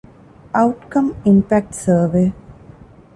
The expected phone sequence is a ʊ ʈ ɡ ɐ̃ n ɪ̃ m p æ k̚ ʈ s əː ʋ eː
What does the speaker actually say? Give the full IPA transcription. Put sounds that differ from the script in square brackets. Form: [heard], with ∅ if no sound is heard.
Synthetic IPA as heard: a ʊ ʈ [k] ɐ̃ [m] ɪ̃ m p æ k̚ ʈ s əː ʋ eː